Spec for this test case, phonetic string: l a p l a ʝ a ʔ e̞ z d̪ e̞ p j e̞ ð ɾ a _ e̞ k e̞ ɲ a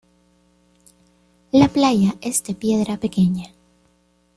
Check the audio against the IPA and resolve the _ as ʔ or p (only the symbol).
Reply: p